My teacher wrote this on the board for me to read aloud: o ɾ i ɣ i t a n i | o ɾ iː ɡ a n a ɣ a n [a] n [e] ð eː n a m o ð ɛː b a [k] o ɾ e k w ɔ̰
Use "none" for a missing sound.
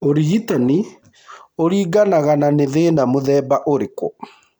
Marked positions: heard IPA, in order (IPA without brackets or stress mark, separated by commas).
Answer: a, e, ʔ